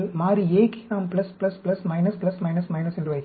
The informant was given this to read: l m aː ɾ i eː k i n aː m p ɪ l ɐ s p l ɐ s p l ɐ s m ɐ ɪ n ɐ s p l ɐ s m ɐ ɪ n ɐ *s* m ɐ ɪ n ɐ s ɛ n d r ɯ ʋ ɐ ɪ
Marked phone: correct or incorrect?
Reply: correct